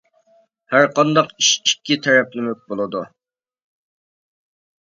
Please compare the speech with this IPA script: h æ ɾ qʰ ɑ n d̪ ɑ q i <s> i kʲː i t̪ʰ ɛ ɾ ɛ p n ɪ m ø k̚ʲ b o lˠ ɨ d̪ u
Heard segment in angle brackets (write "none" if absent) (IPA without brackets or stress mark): ʃ